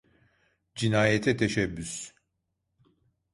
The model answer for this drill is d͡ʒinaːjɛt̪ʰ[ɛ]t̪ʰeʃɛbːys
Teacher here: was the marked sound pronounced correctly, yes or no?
yes